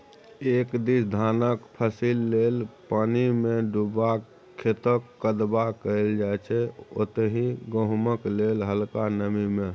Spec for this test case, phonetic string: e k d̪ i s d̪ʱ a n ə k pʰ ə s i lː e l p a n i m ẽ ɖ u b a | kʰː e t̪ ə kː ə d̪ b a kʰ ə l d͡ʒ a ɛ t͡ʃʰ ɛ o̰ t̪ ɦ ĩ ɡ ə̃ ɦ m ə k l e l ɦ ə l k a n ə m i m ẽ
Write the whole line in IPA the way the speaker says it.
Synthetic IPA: e k d̪ i s d̪ʱ a n ə k pʰ ə s i lː e l p a n i m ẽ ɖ u b a | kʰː e t̪ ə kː ə d̪ b a k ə l d͡ʒ a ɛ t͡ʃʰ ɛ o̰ t̪ ɦ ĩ ɡ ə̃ ɦ m ə k l e l ɦ ə l k a n ə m i m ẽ